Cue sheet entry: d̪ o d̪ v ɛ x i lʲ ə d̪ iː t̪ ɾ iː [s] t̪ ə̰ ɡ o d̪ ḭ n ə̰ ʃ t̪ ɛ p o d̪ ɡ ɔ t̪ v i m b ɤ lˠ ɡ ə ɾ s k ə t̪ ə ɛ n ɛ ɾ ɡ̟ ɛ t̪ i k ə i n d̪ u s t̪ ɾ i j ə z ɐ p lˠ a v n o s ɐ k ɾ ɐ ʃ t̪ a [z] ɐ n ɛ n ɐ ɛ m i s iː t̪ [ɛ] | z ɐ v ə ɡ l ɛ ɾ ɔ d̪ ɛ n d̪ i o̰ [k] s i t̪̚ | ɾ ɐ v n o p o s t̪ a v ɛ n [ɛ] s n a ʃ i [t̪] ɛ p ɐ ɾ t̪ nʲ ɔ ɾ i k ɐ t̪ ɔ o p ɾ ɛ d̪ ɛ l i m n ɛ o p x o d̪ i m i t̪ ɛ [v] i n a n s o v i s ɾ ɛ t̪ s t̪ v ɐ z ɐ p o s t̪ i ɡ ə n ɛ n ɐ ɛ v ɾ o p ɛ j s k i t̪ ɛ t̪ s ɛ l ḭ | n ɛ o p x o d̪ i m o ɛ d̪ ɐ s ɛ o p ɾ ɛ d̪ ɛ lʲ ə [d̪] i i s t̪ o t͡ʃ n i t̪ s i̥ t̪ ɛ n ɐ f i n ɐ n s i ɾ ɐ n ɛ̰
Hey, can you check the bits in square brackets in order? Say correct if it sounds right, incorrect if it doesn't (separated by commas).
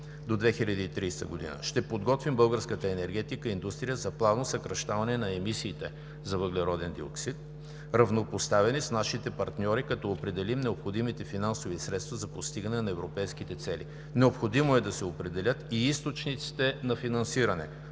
correct, incorrect, correct, correct, incorrect, correct, incorrect, incorrect